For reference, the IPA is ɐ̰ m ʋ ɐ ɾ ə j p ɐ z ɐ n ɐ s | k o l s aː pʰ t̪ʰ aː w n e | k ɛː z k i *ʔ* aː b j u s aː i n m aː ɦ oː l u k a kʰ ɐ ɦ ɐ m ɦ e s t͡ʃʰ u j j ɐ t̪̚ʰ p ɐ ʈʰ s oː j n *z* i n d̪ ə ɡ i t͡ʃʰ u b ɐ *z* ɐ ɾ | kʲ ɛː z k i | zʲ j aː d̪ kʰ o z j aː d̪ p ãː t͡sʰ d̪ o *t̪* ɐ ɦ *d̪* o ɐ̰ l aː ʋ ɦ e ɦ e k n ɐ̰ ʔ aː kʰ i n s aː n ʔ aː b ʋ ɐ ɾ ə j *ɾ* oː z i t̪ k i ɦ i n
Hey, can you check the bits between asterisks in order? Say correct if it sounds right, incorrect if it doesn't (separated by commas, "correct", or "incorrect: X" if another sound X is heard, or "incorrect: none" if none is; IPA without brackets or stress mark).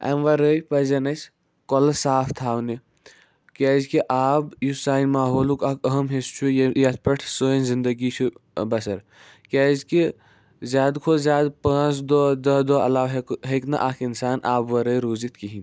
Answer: correct, correct, incorrect: s, incorrect: d̪, correct, correct